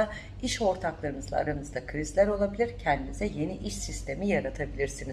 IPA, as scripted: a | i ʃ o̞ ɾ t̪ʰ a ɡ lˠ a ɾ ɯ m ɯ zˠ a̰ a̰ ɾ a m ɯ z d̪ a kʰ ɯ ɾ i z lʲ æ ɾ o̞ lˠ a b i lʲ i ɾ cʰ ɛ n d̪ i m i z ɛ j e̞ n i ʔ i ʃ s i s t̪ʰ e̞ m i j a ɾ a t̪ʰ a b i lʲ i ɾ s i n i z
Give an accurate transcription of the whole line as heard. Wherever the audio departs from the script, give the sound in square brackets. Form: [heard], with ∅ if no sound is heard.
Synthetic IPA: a | i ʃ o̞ ɾ t̪ʰ a [k] lˠ a ɾ ɯ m ɯ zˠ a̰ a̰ ɾ a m ɯ z d̪ a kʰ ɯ ɾ i z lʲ æ ɾ o̞ lˠ a b i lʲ i ɾ cʰ ɛ n d̪ i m i z ɛ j e̞ n i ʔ i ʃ s i s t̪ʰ e̞ m i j a ɾ a t̪ʰ a b i lʲ i ɾ s i n i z